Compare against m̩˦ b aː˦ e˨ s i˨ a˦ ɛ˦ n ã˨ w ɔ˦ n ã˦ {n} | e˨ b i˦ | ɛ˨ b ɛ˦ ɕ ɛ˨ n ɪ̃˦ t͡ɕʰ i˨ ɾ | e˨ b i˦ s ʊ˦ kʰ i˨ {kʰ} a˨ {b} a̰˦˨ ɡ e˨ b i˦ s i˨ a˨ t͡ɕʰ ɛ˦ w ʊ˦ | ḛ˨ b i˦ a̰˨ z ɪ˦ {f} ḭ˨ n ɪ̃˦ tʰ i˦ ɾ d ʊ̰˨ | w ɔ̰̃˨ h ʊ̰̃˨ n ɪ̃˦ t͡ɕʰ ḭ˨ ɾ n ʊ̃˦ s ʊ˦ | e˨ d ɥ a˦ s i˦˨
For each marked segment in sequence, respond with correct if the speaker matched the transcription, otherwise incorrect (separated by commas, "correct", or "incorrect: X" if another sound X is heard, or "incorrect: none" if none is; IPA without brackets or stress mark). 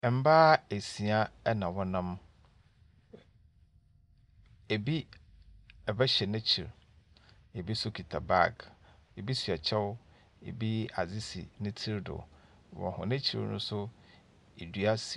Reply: incorrect: m, incorrect: tʰ, correct, incorrect: s